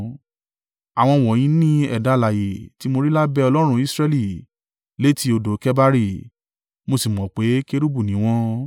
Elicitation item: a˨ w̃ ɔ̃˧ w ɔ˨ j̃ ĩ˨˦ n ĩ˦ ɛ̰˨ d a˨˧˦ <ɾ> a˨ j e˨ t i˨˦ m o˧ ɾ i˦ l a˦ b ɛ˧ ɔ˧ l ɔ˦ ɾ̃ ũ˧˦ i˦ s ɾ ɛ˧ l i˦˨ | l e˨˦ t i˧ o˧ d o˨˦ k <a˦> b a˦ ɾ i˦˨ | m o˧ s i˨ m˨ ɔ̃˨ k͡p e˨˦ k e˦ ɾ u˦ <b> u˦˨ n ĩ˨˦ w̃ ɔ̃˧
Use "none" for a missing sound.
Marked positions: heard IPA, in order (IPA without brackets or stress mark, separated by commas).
l, ɛ˦, b